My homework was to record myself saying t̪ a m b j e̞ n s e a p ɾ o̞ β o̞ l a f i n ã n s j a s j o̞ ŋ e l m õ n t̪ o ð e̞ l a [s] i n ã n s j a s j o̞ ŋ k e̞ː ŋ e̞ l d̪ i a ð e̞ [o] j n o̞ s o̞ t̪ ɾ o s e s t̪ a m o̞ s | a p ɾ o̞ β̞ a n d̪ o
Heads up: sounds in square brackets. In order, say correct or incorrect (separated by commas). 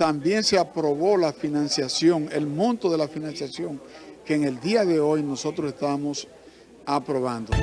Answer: incorrect, correct